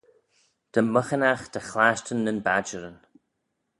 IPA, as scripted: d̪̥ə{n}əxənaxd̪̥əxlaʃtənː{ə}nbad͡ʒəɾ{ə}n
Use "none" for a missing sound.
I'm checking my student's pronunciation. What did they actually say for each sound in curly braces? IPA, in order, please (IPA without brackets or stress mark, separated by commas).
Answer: m, ə, ə